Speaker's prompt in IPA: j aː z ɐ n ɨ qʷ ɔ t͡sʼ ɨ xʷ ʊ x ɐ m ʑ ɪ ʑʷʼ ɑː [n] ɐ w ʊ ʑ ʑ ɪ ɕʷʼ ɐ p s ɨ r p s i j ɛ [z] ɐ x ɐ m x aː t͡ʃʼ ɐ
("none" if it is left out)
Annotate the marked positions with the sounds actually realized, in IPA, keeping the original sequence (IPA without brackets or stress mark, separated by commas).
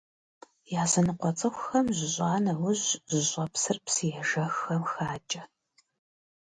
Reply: n, ʒ